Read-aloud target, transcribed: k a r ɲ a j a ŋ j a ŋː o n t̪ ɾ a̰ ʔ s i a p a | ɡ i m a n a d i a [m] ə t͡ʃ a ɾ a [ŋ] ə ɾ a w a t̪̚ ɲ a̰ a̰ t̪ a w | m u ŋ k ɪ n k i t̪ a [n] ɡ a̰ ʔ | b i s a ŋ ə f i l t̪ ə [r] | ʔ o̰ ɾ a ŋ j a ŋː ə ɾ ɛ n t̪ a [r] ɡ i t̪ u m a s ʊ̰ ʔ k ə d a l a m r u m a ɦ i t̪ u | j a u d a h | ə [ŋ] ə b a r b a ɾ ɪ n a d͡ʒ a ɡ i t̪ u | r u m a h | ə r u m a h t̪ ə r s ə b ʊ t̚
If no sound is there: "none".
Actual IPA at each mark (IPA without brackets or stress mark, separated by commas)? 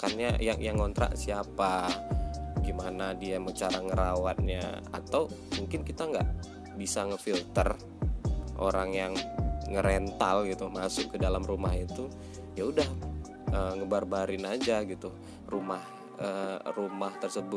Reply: m, ŋ, ŋ, r, l, ŋ